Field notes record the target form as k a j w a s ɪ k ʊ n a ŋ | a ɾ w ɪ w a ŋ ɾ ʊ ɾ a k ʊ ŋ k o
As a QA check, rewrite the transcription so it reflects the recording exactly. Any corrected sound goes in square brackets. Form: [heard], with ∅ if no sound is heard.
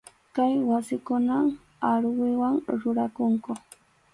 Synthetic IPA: k a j w a s ɪ k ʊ n a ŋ | a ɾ w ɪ w a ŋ ɾ ʊ ɾ a k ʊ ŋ k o